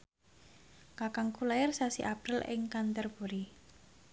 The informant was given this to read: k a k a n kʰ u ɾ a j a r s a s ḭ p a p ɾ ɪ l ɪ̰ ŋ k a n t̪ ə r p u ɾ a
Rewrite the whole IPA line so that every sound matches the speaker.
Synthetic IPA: k a k a ŋ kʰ u l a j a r s a s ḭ ʔ a p ɾ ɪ l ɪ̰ ŋ k a n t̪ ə r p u ɾ i